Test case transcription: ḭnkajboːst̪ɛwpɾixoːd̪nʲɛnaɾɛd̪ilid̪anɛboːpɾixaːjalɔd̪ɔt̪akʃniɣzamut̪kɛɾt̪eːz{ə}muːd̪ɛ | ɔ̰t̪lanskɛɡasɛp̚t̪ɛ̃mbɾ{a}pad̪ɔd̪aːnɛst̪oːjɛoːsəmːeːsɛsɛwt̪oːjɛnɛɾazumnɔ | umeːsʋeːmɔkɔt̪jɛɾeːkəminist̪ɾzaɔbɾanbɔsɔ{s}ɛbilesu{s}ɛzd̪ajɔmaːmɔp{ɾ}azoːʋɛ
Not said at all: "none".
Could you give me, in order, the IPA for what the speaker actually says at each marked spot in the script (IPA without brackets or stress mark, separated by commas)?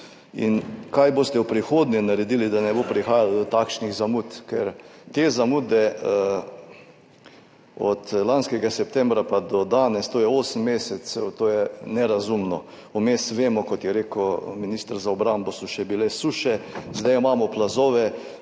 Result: a, a, ʃ, ʃ, l